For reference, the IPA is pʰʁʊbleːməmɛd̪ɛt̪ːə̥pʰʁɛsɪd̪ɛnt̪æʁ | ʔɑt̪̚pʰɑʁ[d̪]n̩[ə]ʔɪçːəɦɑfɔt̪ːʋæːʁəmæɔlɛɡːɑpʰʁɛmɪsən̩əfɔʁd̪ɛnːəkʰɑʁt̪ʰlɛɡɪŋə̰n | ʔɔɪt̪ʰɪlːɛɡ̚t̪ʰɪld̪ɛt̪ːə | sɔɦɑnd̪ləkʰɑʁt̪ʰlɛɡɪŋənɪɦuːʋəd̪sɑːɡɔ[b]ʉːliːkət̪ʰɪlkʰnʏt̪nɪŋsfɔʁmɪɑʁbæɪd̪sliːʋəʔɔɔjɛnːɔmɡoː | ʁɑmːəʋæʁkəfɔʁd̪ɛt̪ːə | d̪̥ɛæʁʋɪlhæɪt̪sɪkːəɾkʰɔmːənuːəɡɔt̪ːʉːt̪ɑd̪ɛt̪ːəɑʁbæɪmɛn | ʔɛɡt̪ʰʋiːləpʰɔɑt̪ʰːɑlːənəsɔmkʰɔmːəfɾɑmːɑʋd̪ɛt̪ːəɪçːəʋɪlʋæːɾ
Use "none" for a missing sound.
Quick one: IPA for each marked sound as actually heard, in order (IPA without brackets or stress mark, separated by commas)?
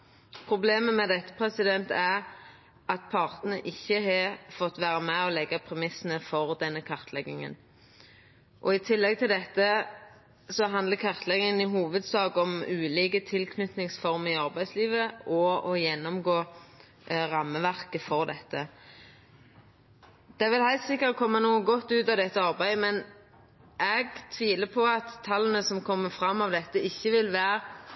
t̪, ə, m